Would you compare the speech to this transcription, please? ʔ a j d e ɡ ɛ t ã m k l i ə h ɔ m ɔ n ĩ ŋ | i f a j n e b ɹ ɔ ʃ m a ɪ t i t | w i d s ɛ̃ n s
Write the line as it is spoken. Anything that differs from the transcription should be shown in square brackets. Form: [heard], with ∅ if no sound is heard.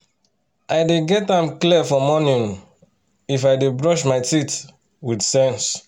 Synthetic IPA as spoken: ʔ a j d e ɡ ɛ t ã m k l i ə [f] ɔ m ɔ n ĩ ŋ | i f a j [d] e b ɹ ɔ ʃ m a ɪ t i t | w i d s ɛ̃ n s